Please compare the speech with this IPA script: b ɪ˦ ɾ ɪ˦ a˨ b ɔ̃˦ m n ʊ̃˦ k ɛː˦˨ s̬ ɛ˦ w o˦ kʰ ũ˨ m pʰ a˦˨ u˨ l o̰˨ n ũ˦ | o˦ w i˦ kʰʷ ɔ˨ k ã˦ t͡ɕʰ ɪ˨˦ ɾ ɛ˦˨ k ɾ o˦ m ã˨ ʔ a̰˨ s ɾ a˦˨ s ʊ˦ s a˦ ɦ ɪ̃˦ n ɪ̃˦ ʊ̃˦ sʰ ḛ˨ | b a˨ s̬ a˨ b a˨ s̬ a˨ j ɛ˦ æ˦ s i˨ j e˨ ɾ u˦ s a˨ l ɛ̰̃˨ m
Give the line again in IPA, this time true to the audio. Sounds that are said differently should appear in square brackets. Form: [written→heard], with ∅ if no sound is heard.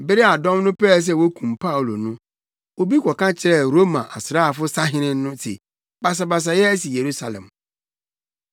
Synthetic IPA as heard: b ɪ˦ ɾ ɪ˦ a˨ [b→d] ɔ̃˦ m n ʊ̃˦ [k→p] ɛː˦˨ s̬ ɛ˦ w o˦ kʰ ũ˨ m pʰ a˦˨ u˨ l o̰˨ n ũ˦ | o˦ [w→b] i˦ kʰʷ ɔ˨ k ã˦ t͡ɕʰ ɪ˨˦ ɾ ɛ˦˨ [k→∅] ɾ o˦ m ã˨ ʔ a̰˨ s ɾ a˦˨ [s→f] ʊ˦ s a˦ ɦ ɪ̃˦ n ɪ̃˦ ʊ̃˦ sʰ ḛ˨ | b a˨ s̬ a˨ b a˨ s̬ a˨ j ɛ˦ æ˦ s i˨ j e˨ ɾ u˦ s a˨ l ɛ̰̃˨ m